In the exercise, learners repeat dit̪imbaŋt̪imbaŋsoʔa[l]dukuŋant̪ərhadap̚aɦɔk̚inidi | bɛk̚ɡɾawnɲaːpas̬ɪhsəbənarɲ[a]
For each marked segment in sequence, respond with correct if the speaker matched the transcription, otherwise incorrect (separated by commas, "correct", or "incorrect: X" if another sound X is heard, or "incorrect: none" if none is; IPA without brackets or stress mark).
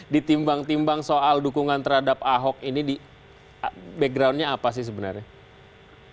correct, correct